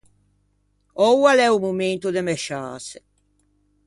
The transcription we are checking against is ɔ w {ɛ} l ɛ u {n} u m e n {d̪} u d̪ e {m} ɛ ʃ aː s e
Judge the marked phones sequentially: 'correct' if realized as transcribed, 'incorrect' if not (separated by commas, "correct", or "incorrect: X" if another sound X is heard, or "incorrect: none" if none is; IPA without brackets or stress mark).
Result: incorrect: a, incorrect: m, incorrect: t̪, correct